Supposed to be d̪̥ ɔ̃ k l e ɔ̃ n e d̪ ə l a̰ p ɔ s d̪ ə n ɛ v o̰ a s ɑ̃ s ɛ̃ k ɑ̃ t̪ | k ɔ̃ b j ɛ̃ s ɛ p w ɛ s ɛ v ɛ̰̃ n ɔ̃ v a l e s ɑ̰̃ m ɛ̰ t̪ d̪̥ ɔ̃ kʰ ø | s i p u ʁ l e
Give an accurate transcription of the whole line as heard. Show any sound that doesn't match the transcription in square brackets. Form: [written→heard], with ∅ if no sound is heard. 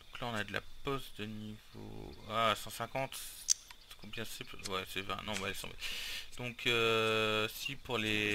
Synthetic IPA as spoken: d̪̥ ɔ̃ k l [e→a] ɔ̃ n [e→a] d̪ ə l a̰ p ɔ s d̪ ə n [ɛ→i] v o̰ a s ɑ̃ s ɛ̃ k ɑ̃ t̪ | k ɔ̃ b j ɛ̃ s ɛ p w ɛ s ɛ v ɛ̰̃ n ɔ̃ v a l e s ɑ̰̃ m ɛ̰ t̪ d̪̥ ɔ̃ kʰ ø | s i p u ʁ l e